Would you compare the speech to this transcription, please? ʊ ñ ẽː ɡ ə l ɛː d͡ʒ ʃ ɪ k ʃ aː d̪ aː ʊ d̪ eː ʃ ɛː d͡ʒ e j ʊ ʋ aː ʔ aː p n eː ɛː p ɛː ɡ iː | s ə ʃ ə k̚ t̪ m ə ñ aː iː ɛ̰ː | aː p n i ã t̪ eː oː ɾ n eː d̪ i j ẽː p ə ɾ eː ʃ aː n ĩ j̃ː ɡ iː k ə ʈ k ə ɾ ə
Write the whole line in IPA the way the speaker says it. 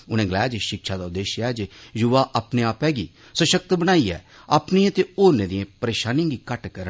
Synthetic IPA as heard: ʊ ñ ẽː ɡ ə l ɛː d͡ʒ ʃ ɪ k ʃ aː d̪ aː ʊ d̪ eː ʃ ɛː d͡ʒ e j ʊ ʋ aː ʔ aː p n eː aː p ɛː ɡ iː | s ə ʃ ə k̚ t̪ b ə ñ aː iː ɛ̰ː | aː p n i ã t̪ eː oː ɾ n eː d̪ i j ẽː p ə ɾ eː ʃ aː n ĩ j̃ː ɡ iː k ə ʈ k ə ɾ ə